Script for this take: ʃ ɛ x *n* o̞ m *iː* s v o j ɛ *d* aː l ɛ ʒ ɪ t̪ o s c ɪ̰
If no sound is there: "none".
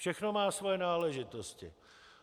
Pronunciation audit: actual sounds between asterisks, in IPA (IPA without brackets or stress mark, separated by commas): n, aː, n